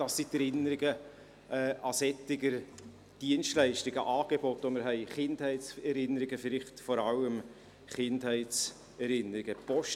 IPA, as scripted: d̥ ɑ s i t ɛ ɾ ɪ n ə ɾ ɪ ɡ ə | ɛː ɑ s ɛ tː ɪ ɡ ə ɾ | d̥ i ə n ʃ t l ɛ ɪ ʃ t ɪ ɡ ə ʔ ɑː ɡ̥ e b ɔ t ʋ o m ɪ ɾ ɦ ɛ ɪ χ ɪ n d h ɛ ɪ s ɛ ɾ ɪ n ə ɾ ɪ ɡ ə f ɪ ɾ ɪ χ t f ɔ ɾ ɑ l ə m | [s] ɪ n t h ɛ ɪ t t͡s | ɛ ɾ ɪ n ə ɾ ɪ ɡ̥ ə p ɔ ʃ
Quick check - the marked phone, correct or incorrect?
incorrect